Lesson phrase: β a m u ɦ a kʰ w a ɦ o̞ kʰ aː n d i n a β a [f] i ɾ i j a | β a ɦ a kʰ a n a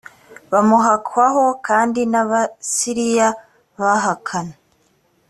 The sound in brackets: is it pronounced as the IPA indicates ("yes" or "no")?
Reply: no